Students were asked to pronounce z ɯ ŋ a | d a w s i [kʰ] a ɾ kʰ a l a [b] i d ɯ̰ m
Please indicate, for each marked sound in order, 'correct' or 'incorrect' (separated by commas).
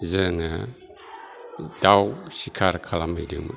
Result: correct, incorrect